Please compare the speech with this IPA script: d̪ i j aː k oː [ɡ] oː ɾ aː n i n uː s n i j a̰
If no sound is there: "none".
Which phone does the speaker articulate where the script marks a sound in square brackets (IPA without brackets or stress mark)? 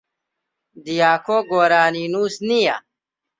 ɡ